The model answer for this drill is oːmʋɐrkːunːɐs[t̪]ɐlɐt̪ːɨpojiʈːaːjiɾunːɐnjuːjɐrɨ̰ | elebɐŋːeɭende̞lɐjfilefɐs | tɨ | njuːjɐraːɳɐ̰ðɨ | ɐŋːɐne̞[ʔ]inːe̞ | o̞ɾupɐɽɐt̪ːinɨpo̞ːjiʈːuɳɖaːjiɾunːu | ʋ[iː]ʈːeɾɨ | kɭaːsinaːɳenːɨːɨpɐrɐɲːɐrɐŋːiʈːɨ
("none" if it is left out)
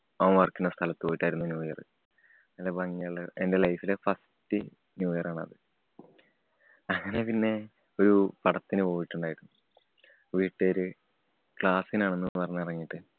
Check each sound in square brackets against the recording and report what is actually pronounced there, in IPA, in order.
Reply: t̪ʰ, p, iː

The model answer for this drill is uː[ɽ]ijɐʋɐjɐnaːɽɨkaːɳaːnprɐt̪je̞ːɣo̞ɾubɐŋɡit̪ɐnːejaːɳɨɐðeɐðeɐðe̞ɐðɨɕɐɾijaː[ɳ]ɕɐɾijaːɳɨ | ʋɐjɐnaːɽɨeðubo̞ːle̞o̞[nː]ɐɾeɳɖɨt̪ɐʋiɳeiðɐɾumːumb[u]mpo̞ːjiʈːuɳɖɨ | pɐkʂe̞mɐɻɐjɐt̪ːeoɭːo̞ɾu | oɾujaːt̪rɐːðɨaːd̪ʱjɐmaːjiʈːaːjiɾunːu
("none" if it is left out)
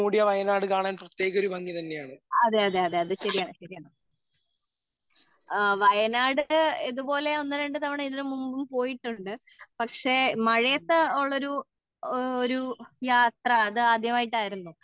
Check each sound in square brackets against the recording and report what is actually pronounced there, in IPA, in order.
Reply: ɽ, ɳ, nː, u

